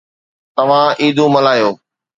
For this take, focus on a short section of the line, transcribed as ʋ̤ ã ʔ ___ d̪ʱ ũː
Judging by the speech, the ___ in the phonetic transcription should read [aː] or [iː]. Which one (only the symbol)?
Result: iː